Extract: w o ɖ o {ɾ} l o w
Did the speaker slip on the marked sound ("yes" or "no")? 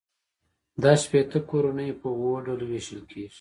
yes